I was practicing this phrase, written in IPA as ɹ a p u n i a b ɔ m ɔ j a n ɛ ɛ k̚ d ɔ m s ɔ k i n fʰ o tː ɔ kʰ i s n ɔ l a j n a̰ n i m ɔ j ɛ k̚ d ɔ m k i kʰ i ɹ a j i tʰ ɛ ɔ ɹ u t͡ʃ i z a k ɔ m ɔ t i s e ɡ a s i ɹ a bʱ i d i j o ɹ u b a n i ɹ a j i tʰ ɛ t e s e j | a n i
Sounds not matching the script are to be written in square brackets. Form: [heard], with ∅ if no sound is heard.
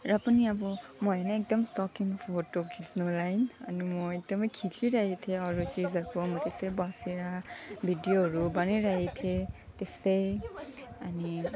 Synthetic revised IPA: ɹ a p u n i a b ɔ m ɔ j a n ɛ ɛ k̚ d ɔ m s ɔ k i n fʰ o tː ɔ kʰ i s n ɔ l a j n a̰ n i m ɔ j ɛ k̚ d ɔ m [kʰ] i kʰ i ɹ a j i tʰ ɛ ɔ ɹ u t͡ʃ i z a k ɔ m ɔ t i s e [b] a s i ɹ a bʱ i d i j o ɹ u b a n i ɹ a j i tʰ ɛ t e s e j | a n i